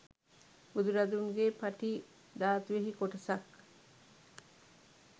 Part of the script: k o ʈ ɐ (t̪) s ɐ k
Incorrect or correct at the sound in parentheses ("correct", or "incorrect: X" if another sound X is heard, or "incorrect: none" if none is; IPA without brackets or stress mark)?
incorrect: none